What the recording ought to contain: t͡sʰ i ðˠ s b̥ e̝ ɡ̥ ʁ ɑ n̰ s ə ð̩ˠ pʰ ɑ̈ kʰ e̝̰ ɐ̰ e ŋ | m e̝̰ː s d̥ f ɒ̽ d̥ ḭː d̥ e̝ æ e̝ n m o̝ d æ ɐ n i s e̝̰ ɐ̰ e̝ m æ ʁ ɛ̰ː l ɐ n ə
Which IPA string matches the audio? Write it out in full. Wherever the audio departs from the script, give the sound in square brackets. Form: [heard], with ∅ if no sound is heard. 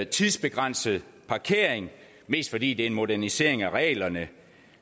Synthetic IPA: t͡sʰ i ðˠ s b̥ e̝ ɡ̥ ʁ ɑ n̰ s ə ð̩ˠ pʰ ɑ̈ kʰ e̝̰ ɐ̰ e ŋ | m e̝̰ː s d̥ f ɒ̽ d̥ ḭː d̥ e̝ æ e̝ n m o̝ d æ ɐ n i s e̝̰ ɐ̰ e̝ [ŋ] æ ʁ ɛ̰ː l ɐ n ə